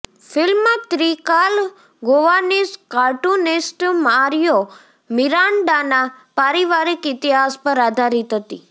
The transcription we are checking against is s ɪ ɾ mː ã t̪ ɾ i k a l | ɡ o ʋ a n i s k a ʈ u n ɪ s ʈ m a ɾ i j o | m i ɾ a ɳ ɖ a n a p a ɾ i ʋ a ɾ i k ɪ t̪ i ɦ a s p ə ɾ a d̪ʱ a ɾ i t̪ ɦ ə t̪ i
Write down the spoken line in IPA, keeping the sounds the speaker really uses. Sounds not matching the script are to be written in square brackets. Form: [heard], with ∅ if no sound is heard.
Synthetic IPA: [f] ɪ [l] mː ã t̪ ɾ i k a l | ɡ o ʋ a n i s k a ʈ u n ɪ s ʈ m a ɾ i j o | m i ɾ a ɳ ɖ a n a p a ɾ i ʋ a ɾ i k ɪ t̪ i ɦ a s p ə ɾ a d̪ʱ a ɾ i t̪ ɦ ə t̪ i